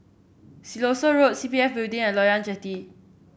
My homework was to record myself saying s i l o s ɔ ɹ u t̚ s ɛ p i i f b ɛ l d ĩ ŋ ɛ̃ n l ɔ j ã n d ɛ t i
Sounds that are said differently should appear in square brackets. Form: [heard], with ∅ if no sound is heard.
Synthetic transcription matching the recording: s i l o s [o] ɹ [o] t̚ s [i] p i [ɛ] f b [i] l d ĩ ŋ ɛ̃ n l ɔ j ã n [d͡ʒ] ɛ t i